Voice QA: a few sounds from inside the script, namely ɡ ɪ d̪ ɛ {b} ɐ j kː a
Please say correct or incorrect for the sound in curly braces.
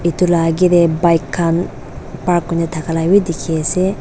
correct